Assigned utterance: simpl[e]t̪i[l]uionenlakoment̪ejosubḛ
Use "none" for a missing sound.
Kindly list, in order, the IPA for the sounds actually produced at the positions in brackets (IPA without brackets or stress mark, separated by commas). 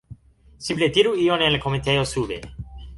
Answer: e, ɾ